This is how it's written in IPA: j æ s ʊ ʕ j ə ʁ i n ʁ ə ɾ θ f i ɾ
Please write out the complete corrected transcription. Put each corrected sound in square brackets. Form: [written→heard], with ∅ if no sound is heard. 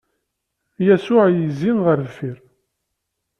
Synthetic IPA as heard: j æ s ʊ ʕ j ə [ʁ→z] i n ʁ ə ɾ [θ→ð] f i ɾ